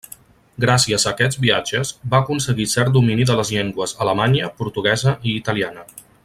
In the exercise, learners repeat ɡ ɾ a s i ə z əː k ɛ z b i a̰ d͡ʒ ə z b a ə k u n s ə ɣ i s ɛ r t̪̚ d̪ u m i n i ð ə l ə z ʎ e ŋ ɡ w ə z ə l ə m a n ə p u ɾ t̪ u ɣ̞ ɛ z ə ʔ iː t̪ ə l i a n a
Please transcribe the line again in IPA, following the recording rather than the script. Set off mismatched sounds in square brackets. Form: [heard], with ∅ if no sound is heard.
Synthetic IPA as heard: ɡ ɾ a s i ə z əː k ɛ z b i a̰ d͡ʒ ə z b a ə k u n s ə ɣ i s ɛ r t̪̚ d̪ u m i n i ð ə l ə z ʎ e ŋ ɡ w ə z ə l ə m a [ɲ] ə p u ɾ t̪ u ɣ̞ ɛ z ə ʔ iː t̪ ə l i a n [ə]